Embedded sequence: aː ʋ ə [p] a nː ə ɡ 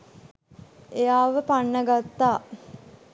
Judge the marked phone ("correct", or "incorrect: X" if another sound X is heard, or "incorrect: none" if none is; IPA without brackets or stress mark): correct